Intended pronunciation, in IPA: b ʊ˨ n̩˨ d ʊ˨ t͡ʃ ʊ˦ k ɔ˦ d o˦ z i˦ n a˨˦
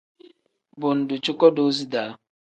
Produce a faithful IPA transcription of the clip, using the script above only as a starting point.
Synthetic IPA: b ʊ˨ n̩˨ d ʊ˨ t͡ʃ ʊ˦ k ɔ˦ d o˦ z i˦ d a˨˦